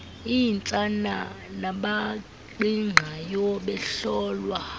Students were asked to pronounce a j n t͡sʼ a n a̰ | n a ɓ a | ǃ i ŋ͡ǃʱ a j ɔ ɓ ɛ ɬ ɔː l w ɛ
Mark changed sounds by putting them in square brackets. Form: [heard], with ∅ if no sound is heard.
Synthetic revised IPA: [i] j n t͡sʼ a n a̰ | n a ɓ a | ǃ i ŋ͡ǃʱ a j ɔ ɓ ɛ ɬ ɔː l w [a]